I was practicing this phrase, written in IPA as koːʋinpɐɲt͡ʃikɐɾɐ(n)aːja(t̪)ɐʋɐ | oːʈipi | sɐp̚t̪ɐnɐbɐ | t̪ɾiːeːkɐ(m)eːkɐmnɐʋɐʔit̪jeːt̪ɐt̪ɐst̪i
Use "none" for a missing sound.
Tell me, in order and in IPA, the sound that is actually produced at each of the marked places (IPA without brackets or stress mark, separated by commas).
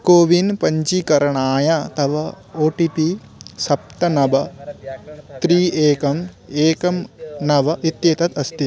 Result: ɳ, t̪, m